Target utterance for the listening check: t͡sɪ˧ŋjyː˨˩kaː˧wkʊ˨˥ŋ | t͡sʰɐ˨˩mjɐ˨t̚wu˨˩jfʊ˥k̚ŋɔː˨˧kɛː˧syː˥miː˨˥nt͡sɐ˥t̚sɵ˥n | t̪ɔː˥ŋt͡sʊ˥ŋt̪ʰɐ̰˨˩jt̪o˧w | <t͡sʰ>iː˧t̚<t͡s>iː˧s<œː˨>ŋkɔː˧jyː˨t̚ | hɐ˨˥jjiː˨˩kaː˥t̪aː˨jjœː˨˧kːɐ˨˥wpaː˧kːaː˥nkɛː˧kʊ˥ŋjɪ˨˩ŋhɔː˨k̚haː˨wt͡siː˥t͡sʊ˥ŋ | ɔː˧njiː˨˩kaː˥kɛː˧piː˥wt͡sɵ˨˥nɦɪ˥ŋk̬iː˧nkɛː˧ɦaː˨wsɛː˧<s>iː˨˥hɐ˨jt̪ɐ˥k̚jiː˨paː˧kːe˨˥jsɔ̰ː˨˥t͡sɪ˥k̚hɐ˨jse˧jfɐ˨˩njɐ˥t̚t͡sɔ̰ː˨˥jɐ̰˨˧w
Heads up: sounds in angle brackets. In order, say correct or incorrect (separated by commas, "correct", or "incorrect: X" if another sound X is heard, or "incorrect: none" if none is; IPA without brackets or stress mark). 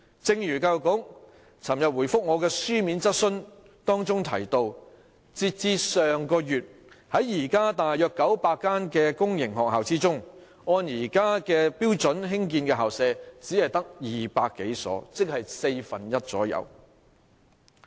incorrect: t͡s, correct, correct, incorrect: t͡s